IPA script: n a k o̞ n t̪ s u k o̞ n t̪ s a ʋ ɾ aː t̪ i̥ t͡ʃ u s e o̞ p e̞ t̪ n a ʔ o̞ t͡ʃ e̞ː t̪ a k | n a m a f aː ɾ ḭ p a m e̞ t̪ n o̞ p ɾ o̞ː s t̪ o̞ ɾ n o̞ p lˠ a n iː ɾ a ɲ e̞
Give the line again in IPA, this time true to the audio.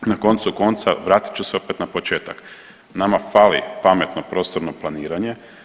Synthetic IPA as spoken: n a k o̞ n t̪ s u k o̞ n t̪ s a ʋ ɾ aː t̪ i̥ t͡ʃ u s e o̞ p e̞ t̪ n a p o̞ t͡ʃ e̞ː t̪ a k | n a m a f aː l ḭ p a m e̞ t̪ n o̞ p ɾ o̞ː s t̪ o̞ ɾ n o̞ p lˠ a n iː ɾ a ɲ e̞